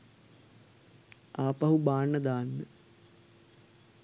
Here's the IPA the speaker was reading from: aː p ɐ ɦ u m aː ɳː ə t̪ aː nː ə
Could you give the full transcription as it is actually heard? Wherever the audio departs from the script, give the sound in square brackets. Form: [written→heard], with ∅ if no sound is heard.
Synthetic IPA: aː p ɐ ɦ u [m→b] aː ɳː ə [t̪→d̪] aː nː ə